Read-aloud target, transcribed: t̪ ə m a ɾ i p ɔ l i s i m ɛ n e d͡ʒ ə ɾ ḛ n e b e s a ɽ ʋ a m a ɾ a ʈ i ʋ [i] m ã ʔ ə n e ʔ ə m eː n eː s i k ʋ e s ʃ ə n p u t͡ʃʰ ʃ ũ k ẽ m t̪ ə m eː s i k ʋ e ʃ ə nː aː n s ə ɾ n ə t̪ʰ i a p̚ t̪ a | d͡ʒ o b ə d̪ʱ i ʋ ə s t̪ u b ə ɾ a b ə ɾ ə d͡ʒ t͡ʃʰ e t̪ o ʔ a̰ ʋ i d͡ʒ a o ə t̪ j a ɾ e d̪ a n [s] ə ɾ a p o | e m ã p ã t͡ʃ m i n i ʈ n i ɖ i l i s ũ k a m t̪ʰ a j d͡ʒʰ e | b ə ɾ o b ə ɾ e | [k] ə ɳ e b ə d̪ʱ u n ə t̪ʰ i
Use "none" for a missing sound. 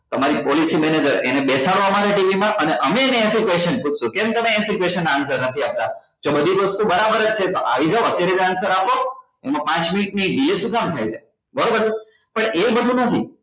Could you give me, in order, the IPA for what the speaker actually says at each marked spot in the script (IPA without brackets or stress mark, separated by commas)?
i, s, p